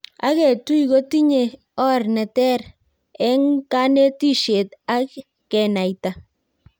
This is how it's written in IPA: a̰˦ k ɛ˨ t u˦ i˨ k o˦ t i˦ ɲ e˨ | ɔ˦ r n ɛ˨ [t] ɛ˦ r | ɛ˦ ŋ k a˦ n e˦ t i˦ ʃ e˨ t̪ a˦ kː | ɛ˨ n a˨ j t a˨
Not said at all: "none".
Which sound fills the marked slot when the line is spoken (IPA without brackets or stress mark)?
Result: t